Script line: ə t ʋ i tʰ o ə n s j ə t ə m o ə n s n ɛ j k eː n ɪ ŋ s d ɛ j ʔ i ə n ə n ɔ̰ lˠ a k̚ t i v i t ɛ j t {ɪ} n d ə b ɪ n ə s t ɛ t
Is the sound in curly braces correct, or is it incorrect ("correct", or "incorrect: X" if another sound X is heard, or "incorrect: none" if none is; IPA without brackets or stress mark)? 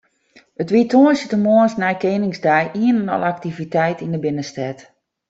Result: incorrect: i